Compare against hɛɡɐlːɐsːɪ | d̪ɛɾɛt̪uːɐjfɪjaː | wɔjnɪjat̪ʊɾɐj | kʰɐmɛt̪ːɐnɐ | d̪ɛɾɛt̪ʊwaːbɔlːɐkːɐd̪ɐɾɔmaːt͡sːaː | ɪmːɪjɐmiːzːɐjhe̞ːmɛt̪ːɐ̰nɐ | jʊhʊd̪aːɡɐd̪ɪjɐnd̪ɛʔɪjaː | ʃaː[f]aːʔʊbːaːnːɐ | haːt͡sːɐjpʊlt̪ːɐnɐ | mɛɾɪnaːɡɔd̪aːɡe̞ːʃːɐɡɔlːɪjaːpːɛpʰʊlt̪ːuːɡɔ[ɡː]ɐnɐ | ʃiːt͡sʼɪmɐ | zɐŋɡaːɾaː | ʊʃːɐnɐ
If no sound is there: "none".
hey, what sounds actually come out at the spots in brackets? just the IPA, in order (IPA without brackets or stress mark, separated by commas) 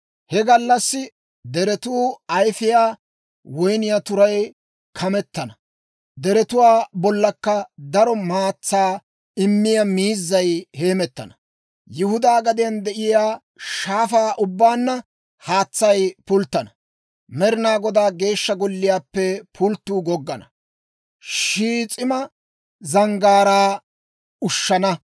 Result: f, ɡː